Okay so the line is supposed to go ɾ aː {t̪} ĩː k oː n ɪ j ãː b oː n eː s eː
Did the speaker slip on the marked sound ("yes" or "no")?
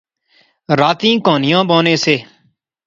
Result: no